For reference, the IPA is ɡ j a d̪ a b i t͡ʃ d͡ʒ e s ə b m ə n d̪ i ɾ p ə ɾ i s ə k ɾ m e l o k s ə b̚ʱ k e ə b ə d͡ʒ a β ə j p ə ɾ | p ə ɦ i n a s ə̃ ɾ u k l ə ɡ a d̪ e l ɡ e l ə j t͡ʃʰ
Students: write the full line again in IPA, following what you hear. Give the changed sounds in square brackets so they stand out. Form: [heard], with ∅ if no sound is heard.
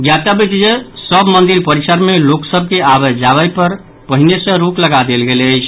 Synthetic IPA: ɡ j a [t̪] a b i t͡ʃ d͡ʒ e s ə b m ə n d̪ i ɾ p ə ɾ i s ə [∅] ɾ m e l o k s ə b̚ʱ k e [a] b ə d͡ʒ a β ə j p ə ɾ | p ə ɦ i n [e] s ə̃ ɾ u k l ə ɡ a d̪ e l ɡ e l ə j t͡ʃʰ